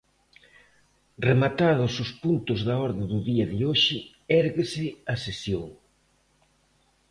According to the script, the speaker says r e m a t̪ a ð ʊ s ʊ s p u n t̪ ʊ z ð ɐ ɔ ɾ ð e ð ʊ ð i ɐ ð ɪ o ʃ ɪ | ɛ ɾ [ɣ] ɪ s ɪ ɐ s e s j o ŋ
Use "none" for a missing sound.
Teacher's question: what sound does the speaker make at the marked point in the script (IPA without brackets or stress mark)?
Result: ɣ